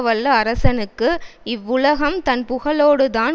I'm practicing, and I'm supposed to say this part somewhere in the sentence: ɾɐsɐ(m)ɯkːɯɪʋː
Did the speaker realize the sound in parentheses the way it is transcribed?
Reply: no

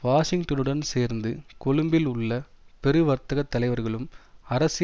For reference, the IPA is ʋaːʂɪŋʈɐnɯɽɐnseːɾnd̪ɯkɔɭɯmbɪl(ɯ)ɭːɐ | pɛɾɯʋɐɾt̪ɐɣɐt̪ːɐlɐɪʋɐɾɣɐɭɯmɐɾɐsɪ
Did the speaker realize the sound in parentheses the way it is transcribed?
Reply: no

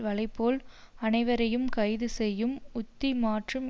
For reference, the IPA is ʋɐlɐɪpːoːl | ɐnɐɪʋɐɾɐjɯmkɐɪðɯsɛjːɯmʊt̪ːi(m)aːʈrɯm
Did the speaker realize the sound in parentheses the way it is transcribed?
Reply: yes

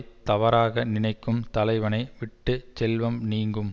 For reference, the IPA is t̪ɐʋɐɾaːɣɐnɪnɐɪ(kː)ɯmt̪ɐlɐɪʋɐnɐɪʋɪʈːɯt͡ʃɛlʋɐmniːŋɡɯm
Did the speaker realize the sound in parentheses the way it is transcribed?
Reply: yes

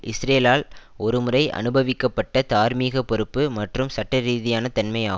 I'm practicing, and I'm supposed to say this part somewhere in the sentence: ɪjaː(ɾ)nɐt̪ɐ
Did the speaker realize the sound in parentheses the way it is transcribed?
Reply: no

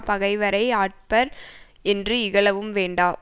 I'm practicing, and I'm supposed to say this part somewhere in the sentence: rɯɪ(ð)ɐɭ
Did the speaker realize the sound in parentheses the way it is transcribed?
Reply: no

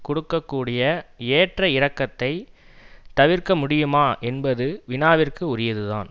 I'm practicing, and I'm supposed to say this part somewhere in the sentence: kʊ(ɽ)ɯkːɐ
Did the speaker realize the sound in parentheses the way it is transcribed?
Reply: yes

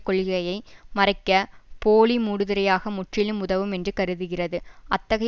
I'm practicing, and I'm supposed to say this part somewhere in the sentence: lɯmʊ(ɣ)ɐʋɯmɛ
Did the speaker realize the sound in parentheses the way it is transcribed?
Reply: no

